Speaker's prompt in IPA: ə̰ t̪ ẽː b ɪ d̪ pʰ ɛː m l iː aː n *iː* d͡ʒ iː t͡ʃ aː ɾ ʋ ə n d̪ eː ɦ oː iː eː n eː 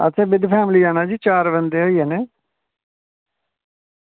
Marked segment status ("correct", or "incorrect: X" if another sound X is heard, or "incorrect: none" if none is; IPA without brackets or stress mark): incorrect: aː